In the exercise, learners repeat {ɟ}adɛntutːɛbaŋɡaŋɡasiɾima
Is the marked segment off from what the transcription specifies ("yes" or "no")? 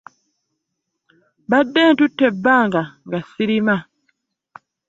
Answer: yes